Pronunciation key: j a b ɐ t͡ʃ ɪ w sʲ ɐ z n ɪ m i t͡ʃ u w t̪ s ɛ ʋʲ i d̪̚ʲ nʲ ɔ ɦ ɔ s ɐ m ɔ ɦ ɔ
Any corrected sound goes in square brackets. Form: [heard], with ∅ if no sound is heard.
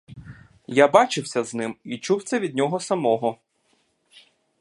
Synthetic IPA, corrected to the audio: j a b [ɑ] t͡ʃ ɪ w sʲ ɐ z n ɪ m i t͡ʃ u w t̪ s ɛ ʋʲ i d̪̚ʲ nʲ ɔ ɦ ɔ s ɐ m ɔ ɦ ɔ

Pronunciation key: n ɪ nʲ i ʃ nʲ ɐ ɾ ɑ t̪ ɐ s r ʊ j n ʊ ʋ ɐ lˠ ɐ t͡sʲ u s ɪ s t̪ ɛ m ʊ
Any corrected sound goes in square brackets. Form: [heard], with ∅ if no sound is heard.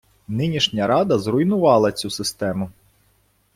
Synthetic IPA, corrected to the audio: n ɪ nʲ i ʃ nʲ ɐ ɾ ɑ [d̪] ɐ [z] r ʊ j n ʊ ʋ [ɑ] lˠ ɐ t͡sʲ u s ɪ s t̪ ɛ m ʊ

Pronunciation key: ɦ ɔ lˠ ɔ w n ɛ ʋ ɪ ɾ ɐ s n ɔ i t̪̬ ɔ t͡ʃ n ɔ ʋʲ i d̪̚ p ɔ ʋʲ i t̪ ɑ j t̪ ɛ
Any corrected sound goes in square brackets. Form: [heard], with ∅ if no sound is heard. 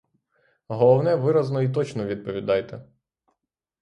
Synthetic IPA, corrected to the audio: ɦ ɔ lˠ ɔ w n ɛ ʋ ɪ ɾ ɐ [z] n ɔ i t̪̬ ɔ t͡ʃ n ɔ ʋʲ i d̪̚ p ɔ ʋʲ i [d̪] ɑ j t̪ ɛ

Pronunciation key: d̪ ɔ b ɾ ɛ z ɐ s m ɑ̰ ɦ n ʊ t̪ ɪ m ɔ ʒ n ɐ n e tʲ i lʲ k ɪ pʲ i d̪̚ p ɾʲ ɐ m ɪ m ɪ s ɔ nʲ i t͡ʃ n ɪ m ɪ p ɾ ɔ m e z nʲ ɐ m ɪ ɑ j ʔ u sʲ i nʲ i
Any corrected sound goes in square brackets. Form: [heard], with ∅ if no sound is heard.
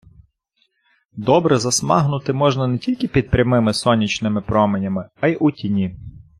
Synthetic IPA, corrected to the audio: d̪ ɔ b ɾ ɛ z ɐ s m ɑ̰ ɦ n ʊ t̪ ɪ m ɔ ʒ n ɐ n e tʲ i lʲ k ɪ pʲ i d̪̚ p ɾʲ ɐ m ɪ m ɪ s ɔ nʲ i t͡ʃ n ɪ m ɪ p ɾ ɔ m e [∅] nʲ ɐ m ɪ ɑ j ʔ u [tʲ] i nʲ i

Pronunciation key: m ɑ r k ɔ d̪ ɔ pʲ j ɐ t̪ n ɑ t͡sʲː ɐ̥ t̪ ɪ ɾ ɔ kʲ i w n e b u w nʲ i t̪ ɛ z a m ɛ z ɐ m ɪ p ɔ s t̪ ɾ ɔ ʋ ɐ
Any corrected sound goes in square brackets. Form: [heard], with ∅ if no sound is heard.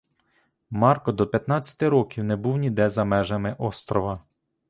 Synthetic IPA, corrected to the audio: m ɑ r k ɔ d̪ ɔ pʲ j ɐ t̪ n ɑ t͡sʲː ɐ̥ t̪ ɪ ɾ ɔ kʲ i w n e b u w nʲ i [d̪] ɛ z [ɐ] m ɛ [ʒ] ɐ m ɪ [ʔ] ɔ s t̪ ɾ ɔ ʋ ɐ

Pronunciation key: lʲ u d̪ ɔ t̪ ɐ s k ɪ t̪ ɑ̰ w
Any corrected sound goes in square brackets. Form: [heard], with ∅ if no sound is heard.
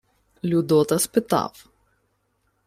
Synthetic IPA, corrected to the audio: lʲ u d̪ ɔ t̪ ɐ s [p] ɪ t̪ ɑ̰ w

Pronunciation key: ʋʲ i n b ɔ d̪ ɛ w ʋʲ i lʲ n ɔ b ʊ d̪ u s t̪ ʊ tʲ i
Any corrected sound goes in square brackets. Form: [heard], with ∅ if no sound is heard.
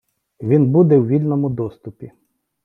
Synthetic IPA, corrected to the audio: ʋʲ i n b [u] d̪ ɛ w ʋʲ i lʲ n ɔ [m] ʊ d̪ [ɔ] s t̪ ʊ [pʲ] i

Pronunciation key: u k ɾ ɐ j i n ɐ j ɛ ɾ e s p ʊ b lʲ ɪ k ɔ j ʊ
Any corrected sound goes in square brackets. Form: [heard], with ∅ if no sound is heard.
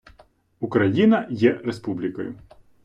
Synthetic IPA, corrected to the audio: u k ɾ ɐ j i n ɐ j ɛ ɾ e s p [u] b lʲ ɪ k ɔ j ʊ

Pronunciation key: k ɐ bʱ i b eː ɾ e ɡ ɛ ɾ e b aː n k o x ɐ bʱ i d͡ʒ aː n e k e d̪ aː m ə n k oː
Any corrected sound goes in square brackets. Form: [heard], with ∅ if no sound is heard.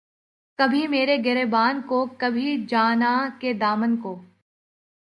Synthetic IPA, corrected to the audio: k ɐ bʱ i [m] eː ɾ e ɡ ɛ ɾ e b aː n k o [k] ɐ bʱ i d͡ʒ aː n [a] k e d̪ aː m ə n k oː

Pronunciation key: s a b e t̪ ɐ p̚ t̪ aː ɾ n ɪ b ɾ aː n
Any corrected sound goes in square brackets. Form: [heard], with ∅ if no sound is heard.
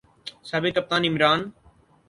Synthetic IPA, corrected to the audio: s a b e t̪ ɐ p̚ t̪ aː [∅] n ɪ [m] ɾ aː n

